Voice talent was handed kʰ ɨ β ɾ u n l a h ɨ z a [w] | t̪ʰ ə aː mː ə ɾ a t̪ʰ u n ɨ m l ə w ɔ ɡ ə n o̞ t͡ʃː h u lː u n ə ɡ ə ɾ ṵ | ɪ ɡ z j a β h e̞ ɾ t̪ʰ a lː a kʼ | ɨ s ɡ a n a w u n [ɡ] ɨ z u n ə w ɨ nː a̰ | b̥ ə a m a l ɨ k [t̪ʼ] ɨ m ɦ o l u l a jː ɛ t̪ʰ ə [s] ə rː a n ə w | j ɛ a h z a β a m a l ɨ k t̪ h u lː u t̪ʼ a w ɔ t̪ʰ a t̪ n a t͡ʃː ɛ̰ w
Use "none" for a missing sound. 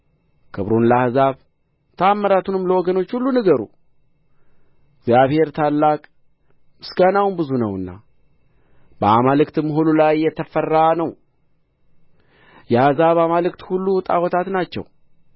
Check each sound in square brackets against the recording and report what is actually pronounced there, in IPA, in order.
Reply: β, b, t̪, f

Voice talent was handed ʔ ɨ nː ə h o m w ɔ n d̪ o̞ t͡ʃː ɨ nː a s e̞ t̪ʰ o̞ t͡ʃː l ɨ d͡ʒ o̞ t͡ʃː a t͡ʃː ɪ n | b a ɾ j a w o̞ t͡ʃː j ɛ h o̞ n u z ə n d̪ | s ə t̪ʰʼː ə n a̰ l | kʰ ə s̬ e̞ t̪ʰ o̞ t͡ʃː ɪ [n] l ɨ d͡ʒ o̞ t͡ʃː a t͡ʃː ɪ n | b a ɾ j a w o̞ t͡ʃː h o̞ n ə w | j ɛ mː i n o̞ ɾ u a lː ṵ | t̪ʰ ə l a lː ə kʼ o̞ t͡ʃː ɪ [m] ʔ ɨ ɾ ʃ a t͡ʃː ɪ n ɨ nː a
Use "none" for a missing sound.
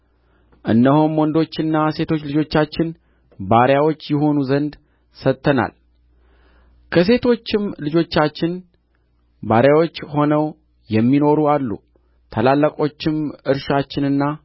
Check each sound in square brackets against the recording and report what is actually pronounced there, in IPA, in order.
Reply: m, m

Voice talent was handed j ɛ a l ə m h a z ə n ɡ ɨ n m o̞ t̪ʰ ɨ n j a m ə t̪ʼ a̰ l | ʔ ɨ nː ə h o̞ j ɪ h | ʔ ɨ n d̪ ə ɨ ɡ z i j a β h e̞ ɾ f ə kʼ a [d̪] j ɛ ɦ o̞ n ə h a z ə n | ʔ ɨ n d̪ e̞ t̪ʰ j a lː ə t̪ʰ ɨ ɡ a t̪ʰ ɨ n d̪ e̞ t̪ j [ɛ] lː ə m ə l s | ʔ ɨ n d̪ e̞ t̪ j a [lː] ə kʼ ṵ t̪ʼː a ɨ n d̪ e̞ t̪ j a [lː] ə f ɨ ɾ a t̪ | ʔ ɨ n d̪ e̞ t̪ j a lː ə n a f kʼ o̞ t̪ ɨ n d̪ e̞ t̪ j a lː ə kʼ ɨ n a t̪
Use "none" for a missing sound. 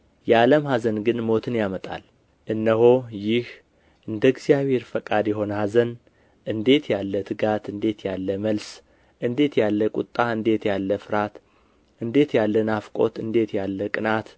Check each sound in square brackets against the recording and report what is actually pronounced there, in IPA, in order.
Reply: d̪, a, lː, lː

